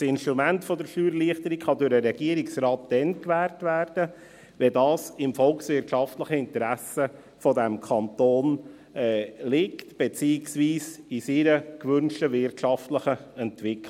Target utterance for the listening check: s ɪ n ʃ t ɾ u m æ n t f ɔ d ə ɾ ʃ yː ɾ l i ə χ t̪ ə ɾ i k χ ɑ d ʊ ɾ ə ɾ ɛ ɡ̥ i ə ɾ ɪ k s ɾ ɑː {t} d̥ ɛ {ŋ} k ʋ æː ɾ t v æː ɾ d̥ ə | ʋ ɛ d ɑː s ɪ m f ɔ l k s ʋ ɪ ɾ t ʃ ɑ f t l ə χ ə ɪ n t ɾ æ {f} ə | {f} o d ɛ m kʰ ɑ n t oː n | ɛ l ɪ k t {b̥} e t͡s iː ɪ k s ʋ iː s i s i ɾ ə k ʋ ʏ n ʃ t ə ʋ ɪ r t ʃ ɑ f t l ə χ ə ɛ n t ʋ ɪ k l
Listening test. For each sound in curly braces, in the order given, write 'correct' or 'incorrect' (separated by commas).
correct, incorrect, incorrect, correct, correct